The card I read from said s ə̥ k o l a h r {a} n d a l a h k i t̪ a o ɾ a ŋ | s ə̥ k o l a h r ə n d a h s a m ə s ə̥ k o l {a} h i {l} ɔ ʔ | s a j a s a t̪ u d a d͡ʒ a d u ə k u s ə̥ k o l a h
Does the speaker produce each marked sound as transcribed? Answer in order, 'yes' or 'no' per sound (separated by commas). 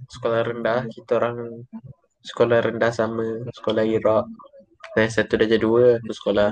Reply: no, yes, no